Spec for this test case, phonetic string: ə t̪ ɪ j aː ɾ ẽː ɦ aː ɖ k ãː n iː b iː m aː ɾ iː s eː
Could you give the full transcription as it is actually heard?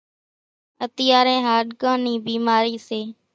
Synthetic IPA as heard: ə t̪ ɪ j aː ɾ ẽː ɦ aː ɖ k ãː n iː b iː m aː ɾ iː s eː